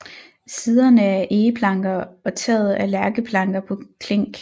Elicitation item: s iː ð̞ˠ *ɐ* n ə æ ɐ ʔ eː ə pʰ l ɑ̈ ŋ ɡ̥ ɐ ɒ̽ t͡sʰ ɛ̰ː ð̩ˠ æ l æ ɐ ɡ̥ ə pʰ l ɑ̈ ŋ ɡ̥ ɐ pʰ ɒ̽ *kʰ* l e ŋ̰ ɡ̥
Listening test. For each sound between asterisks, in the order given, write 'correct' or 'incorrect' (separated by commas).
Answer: correct, correct